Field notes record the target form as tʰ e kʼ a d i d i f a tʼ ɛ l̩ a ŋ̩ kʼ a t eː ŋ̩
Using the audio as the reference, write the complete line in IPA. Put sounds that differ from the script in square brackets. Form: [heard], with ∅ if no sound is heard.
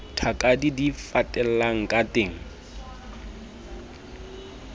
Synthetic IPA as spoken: tʰ [a] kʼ a d i d i f a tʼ ɛ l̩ a ŋ̩ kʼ a t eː ŋ̩